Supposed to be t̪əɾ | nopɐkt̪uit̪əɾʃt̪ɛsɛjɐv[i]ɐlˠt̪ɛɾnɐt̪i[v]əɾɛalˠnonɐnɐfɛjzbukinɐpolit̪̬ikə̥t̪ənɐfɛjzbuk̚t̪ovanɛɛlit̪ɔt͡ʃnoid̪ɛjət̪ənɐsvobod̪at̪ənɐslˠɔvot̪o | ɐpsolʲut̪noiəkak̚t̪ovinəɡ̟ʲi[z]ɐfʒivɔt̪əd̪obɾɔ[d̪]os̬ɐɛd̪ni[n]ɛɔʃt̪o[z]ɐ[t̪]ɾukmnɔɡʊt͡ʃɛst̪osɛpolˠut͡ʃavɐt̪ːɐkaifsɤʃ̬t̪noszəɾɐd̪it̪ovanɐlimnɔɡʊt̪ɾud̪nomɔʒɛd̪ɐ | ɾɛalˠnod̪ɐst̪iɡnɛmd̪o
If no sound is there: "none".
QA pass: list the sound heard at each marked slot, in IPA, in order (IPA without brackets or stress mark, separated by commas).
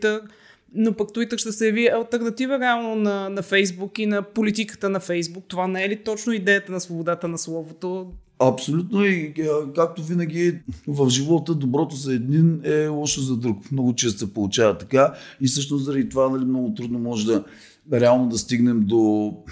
i, v, v, t̪, n, z, d̪